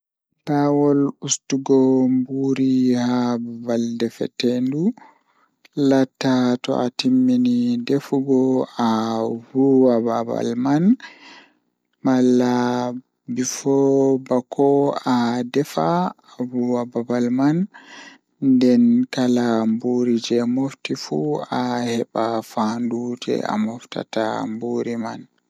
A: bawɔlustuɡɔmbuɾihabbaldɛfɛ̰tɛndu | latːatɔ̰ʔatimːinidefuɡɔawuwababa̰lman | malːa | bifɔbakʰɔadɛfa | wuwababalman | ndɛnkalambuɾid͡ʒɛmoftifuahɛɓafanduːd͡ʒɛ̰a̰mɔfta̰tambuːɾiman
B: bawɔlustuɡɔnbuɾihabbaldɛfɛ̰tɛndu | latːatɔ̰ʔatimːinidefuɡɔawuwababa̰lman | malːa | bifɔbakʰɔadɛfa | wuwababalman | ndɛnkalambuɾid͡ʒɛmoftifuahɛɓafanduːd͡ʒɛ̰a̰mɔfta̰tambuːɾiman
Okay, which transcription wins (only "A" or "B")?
A